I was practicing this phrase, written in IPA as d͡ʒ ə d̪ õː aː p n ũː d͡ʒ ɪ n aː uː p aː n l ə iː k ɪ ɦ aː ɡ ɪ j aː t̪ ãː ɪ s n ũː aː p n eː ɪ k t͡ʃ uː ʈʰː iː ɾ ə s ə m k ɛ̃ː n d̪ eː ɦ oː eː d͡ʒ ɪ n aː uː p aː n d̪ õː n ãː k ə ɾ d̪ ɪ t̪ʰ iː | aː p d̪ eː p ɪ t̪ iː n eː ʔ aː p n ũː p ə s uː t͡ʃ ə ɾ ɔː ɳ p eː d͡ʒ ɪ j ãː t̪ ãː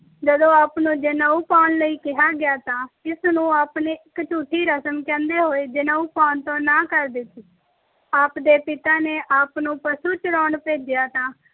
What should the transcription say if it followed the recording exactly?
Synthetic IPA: d͡ʒ ə d̪ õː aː p n ũː d͡ʒ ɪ n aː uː p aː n l ə iː k ɪ ɦ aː ɡ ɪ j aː t̪ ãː ɪ s n ũː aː p n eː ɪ k t͡ʃ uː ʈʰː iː ɾ ə s ə m k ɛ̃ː n d̪ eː ɦ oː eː d͡ʒ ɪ n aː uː p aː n t̪ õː n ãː k ə ɾ d̪ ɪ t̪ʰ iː | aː p d̪ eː p ɪ t̪ aː n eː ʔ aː p n ũː p ə s uː t͡ʃ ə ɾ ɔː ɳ p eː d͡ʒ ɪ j aː t̪ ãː

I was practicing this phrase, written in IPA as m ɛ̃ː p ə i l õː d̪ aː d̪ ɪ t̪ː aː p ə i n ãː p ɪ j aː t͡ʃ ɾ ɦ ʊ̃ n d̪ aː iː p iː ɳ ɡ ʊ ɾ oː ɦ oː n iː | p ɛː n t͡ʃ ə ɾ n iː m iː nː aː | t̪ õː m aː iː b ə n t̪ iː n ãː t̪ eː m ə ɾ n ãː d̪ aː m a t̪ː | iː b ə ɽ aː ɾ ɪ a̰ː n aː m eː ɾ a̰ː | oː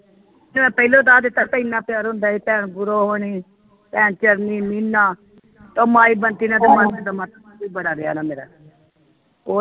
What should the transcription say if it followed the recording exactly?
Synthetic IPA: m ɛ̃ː p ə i l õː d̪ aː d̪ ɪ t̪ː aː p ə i n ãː p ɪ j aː ɾ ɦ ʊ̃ n d̪ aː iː p ɛː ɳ ɡ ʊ ɾ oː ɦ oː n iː | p ɛː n t͡ʃ ə ɾ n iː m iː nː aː | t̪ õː m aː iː b ə n t̪ iː n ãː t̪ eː m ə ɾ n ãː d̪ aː m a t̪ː | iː b ə ɽ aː ɾ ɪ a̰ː n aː m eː ɾ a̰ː | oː

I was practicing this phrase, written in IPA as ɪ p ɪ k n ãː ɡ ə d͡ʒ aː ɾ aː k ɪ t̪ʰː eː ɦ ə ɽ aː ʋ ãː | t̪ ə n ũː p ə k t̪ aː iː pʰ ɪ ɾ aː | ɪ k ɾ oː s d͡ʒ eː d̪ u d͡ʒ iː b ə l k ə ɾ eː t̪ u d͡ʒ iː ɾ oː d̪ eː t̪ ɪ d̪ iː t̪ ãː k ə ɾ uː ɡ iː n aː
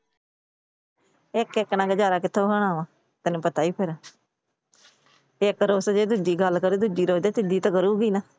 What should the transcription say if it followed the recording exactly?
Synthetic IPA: ɪ k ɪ k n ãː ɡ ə d͡ʒ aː ɾ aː k ɪ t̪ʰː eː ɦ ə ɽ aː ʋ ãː | t̪ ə n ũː p ə t̪ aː iː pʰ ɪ ɾ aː | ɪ k ɾ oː s d͡ʒ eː d̪ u d͡ʒ iː ɡ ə l k ə ɾ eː d̪ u d͡ʒ iː ɾ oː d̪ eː t̪ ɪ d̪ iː t̪ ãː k ə ɾ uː ɡ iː n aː

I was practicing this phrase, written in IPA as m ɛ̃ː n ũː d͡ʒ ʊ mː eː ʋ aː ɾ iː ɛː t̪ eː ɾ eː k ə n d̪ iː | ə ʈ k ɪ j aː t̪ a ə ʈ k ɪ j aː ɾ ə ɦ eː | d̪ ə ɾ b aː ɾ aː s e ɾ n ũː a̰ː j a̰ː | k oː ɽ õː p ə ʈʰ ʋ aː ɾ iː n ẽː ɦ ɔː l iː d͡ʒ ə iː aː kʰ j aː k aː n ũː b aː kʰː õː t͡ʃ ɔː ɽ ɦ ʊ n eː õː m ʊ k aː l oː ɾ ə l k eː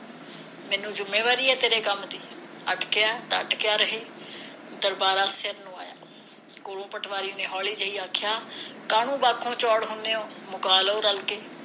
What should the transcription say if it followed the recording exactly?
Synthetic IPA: m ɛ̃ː n ũː d͡ʒ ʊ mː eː ʋ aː ɾ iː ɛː t̪ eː ɾ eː k ə m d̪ iː | ə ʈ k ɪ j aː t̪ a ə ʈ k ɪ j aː ɾ ə ɦ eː | d̪ ə ɾ b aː ɾ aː s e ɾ n ũː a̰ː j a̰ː | k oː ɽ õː p ə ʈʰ ʋ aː ɾ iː n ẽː ɦ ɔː l iː d͡ʒ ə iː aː kʰ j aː k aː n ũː b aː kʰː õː t͡ʃ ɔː ɽ ɦ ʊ n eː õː m ʊ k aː l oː ɾ ə l k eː

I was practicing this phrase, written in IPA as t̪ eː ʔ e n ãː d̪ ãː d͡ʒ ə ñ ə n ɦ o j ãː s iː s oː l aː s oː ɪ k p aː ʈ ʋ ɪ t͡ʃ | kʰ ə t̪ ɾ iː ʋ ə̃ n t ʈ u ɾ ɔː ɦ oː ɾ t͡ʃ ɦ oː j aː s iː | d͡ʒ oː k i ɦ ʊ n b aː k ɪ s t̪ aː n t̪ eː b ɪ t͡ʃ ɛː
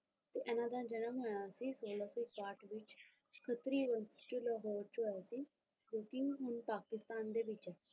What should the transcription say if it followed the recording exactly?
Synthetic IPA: t̪ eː ʔ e n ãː d̪ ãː d͡ʒ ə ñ ə m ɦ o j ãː s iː s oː l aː s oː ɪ k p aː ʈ ʋ ɪ t͡ʃ | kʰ ə t̪ ɾ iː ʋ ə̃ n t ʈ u l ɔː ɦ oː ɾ t͡ʃ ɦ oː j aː s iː | d͡ʒ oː k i ɦ ʊ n p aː k ɪ s t̪ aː n d̪ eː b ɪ t͡ʃ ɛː

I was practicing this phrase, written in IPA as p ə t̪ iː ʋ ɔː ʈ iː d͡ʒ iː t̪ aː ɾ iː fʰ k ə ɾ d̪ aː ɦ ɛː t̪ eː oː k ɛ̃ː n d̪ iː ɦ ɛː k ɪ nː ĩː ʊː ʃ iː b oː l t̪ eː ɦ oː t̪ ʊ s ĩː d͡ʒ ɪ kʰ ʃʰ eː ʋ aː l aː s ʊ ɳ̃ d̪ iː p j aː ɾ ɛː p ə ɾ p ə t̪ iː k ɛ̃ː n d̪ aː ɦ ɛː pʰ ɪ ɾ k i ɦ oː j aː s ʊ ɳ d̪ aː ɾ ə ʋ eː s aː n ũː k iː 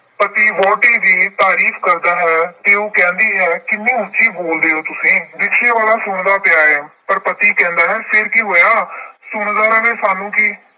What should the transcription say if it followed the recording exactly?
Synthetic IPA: p ə t̪ iː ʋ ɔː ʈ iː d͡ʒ iː t̪ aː ɾ iː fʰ k ə ɾ d̪ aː ɦ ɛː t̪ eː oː k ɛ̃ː n d̪ iː ɦ ɛː k ɪ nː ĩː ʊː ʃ iː b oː l d̪ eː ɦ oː t̪ ʊ s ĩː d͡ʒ ɪ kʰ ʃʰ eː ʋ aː l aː s ʊ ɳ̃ d̪ aː p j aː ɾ ɛː p ə ɾ p ə t̪ iː k ɛ̃ː n d̪ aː ɦ ɛː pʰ ɪ ɾ k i ɦ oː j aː s ʊ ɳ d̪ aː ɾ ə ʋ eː s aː n ũː k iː

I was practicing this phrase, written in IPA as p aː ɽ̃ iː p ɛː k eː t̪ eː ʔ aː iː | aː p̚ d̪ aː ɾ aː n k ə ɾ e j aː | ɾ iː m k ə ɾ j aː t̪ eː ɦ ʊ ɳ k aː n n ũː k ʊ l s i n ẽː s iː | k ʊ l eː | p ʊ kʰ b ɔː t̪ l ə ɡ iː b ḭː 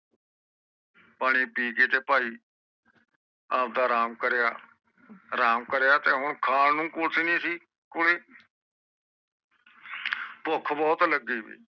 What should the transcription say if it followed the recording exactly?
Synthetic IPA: p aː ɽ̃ iː p iː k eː t̪ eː p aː iː | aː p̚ d̪ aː ɾ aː m k ə ɾ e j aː | ɾ aː m k ə ɾ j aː t̪ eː ɦ ʊ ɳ kʰ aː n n ũː k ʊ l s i n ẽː s iː | k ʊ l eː | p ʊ kʰ b ɔː t̪ l ə ɡ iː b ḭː

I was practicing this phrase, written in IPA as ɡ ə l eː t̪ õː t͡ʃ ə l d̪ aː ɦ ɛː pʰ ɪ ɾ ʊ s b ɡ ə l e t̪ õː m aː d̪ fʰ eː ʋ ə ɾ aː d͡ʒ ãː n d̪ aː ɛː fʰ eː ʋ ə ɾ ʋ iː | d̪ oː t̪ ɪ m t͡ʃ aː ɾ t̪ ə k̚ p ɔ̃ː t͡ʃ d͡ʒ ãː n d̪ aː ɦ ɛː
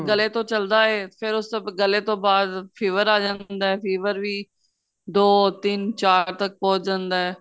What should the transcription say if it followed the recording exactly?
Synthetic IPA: ɡ ə l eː t̪ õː t͡ʃ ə l d̪ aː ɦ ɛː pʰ ɪ ɾ ʊ s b ɡ ə l e t̪ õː b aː d̪ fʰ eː ʋ ə ɾ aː d͡ʒ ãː n d̪ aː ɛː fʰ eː ʋ ə ɾ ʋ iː | d̪ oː t̪ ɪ n t͡ʃ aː ɾ t̪ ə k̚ p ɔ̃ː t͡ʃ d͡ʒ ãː n d̪ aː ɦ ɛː

